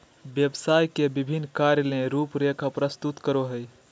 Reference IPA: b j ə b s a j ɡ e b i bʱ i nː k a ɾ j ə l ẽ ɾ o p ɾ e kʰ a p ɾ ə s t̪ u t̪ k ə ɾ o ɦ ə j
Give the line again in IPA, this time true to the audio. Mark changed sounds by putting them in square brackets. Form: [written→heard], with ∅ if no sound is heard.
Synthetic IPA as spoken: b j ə b s a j [ɡ→k] e b i bʱ i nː k a ɾ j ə l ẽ ɾ [o→u] p ɾ e kʰ a p ɾ ə s t̪ u t̪ k ə ɾ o ɦ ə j